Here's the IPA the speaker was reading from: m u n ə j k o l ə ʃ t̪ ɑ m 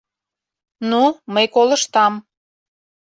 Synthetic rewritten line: n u m ə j k o l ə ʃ t̪ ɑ m